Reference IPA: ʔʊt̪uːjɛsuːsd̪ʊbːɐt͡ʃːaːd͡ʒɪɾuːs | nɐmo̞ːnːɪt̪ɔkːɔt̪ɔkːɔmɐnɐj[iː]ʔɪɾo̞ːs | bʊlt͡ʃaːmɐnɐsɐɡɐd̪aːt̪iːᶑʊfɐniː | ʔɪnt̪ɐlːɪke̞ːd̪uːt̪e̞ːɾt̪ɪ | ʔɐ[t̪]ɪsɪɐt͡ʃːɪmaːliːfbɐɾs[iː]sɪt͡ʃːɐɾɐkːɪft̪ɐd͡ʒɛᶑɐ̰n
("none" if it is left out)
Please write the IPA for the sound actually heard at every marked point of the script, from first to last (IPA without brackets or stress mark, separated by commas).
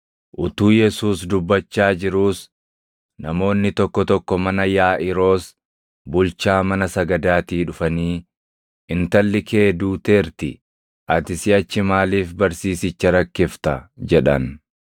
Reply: aː, t̪, iː